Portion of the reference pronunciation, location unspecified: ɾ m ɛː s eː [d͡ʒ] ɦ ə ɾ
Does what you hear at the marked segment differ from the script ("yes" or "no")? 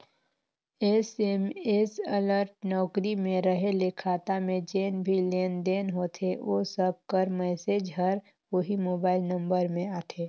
no